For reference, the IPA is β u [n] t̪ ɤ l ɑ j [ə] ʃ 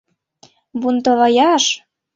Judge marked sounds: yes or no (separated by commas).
yes, no